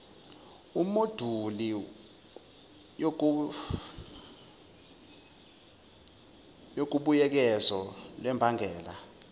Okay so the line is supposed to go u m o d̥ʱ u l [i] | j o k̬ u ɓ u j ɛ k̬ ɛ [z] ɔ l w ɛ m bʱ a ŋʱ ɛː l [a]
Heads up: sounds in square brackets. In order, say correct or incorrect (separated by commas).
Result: correct, correct, correct